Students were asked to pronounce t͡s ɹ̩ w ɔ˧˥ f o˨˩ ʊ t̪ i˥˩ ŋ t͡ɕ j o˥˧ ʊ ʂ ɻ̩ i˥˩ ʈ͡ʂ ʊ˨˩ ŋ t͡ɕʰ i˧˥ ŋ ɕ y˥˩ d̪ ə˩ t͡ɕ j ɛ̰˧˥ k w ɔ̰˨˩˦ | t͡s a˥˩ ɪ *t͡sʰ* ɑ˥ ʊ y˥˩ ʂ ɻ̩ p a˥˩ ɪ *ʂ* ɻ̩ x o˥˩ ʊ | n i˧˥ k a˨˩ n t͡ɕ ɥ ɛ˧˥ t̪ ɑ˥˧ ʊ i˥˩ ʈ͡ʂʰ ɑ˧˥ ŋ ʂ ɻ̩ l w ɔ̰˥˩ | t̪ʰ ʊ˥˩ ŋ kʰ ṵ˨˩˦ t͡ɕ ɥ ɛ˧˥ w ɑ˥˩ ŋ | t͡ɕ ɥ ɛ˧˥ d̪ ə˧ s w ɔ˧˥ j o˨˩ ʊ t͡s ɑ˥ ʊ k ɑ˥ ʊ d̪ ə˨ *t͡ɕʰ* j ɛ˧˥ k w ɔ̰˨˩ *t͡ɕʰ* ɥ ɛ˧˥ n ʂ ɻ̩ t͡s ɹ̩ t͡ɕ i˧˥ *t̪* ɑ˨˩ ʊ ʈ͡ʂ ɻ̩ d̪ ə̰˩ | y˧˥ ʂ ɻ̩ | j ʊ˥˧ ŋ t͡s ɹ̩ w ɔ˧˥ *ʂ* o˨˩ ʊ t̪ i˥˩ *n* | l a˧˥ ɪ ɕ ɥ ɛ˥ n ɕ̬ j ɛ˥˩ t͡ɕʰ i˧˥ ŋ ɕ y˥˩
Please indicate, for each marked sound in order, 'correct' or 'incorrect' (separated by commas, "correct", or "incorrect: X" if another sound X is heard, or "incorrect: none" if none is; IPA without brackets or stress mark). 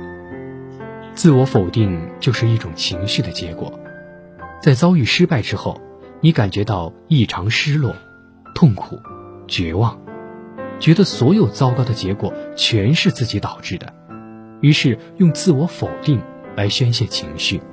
incorrect: t͡s, incorrect: ʈ͡ʂ, incorrect: t͡ɕ, correct, correct, incorrect: f, incorrect: ŋ